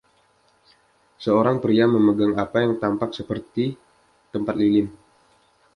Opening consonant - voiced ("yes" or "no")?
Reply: no